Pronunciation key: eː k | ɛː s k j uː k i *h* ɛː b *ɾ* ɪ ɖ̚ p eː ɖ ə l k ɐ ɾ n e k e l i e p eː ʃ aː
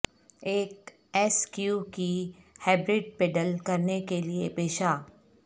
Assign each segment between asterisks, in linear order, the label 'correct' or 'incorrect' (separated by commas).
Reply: correct, correct